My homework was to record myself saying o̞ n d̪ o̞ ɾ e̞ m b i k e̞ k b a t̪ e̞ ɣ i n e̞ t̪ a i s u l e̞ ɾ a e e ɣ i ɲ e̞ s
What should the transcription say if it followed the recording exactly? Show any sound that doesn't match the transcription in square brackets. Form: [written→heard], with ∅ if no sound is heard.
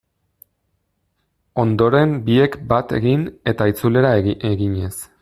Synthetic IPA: o̞ n d̪ o̞ ɾ e̞ m b i [k→∅] e̞ k b a t̪ e̞ ɣ i n e̞ t̪ a i [s→t͡s] u l e̞ ɾ a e e ɣ i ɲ e̞ s